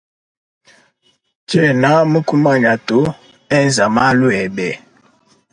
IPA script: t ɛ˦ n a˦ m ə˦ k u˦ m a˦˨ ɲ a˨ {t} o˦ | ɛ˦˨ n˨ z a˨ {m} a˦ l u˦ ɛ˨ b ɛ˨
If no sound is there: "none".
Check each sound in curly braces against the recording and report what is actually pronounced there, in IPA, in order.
t, m

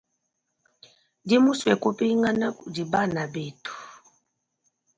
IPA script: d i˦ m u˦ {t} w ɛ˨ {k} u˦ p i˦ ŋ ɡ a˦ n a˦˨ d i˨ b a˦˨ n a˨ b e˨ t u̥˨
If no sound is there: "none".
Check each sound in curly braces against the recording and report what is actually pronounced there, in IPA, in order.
s, k

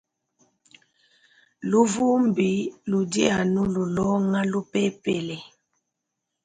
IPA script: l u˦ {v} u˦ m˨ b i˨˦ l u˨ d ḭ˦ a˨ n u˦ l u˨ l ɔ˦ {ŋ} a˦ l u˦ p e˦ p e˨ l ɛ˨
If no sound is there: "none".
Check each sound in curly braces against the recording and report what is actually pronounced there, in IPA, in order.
v, ŋ

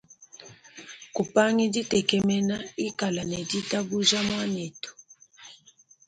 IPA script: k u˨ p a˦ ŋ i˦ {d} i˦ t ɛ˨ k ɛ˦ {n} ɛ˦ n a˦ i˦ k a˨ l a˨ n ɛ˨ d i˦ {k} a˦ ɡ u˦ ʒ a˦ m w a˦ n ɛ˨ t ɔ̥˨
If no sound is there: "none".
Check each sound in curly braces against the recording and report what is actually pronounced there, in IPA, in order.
d, m, t

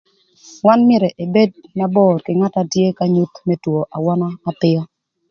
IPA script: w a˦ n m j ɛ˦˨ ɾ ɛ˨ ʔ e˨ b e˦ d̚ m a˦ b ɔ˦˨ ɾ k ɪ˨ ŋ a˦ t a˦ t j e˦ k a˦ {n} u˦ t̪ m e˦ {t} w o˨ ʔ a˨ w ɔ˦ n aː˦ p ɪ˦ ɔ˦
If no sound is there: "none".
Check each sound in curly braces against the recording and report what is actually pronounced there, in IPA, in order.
ɲ, t

